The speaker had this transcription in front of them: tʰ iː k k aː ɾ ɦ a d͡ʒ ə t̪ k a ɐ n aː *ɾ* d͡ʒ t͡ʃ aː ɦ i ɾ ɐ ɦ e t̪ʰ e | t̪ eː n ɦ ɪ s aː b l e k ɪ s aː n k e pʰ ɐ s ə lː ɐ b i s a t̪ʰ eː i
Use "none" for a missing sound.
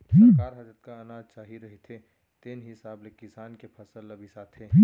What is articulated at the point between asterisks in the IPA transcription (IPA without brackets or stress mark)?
none